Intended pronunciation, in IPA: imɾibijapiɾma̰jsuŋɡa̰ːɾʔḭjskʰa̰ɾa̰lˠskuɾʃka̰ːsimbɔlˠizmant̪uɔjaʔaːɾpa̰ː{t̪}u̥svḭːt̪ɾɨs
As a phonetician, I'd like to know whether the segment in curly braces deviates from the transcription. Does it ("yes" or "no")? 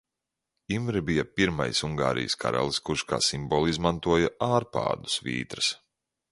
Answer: yes